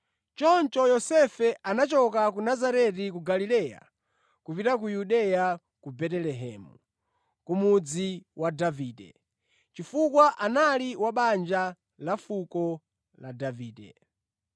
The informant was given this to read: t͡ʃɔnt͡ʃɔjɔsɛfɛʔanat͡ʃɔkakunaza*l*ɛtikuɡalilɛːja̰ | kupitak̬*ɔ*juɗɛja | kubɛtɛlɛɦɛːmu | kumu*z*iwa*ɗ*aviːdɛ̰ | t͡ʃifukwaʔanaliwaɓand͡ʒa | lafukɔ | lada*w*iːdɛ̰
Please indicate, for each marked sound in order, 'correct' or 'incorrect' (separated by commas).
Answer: incorrect, incorrect, incorrect, incorrect, incorrect